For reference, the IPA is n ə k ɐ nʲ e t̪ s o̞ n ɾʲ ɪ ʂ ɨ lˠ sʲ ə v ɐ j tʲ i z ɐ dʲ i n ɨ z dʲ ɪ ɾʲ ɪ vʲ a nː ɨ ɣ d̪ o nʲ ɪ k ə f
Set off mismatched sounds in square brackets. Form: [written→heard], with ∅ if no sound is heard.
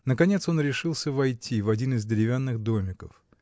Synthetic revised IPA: n ə k ɐ nʲ e t̪ s o̞ n ɾʲ ɪ ʂ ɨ lˠ sʲ ə v ɐ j tʲ i [z→v] ɐ dʲ i n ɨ z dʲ ɪ ɾʲ ɪ vʲ a nː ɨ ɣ d̪ o [nʲ→mʲ] ɪ k ə f